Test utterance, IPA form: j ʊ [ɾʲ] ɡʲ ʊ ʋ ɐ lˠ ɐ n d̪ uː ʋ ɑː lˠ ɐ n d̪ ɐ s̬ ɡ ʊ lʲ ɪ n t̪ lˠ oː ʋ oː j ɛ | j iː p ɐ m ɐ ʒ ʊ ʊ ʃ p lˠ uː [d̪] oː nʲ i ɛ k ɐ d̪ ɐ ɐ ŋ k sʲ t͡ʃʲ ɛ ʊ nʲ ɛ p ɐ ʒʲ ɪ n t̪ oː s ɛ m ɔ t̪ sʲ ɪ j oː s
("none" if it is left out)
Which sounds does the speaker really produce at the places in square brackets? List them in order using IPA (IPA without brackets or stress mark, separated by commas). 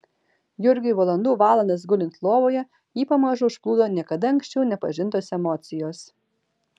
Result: ɾʲ, d̪